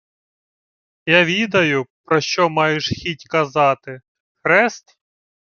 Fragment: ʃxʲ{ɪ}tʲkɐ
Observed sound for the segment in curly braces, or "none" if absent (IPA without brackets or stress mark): i